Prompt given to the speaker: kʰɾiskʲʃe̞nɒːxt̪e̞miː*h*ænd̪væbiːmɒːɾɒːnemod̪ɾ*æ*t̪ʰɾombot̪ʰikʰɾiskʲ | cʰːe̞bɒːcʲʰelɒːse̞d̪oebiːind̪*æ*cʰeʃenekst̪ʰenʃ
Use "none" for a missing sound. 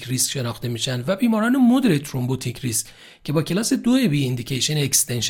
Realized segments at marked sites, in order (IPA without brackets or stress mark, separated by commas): ʃ, e, i